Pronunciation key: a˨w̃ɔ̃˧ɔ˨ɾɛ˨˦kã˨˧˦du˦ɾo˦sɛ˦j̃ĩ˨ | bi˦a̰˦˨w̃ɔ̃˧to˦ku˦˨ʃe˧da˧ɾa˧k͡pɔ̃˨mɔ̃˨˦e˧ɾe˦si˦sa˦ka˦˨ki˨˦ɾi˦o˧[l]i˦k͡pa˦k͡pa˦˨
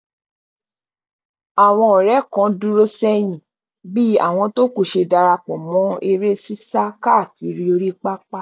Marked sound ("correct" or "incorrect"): incorrect